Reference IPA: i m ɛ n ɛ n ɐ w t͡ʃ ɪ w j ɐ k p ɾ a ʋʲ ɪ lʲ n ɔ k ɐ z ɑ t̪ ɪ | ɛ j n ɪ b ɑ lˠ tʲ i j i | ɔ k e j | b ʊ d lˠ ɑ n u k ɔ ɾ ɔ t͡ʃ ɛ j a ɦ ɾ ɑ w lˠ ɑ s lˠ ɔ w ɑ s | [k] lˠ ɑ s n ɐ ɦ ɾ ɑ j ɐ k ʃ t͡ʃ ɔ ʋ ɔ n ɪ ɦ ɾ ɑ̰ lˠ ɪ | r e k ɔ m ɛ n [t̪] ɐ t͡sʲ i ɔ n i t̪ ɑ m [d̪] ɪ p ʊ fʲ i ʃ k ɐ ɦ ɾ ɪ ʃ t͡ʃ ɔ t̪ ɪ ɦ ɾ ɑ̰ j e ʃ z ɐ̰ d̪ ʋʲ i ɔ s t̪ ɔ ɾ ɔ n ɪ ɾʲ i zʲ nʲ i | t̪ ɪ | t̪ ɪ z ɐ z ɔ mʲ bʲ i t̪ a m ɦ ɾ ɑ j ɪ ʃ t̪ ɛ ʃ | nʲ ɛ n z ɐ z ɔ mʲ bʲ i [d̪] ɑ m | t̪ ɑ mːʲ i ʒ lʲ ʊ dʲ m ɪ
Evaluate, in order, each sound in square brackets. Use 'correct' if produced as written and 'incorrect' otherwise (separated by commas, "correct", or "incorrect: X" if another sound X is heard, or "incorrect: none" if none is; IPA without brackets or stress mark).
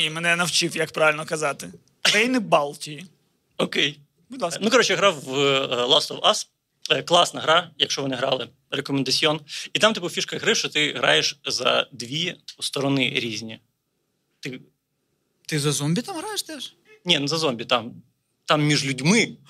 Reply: correct, incorrect: d̪, incorrect: t̪, incorrect: t̪